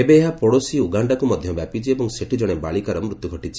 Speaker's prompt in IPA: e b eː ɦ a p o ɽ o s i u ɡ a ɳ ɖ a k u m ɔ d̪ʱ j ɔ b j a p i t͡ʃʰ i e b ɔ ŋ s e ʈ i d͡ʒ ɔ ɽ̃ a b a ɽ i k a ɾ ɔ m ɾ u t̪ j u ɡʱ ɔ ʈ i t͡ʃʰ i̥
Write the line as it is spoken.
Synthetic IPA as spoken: e b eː ɦ a p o ɽ o s i u ɡ a ɳ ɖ a k u m ɔ d̪ʱ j ɔ b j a p i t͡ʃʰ i e b ɔ ŋ s e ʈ i d͡ʒ ɔ ɽ̃ e b a ɭ i k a ɾ ɔ m ɾ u t̪ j u ɡʱ ɔ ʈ i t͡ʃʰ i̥